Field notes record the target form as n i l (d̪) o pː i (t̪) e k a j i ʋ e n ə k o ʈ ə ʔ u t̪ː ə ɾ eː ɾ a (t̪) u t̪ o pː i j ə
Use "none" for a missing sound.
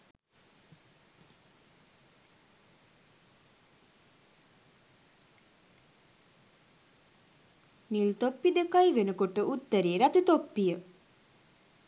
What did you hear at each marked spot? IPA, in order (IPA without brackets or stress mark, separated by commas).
t̪, d̪, t̪